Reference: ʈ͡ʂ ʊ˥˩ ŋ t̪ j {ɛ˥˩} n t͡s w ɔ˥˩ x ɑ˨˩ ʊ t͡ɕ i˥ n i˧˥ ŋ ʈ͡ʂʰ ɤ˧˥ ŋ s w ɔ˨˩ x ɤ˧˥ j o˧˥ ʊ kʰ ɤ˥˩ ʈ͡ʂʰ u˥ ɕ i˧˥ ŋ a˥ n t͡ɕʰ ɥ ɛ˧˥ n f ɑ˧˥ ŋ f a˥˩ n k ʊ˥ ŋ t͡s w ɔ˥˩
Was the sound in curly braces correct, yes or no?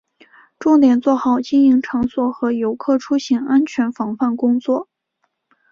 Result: no